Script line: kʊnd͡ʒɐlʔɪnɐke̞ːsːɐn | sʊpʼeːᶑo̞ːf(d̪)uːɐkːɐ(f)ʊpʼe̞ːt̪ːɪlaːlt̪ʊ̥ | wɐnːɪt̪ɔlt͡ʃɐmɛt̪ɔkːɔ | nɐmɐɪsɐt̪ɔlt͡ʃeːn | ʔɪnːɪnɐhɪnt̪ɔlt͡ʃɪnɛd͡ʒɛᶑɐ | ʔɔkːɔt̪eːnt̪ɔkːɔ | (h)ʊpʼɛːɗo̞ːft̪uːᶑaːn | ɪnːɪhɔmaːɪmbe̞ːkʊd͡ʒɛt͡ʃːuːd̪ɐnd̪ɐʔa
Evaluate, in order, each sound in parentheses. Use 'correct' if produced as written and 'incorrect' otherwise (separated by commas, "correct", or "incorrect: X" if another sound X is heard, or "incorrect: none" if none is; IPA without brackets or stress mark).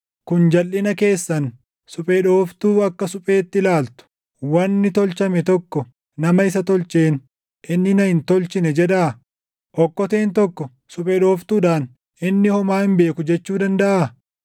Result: incorrect: t̪, incorrect: s, incorrect: s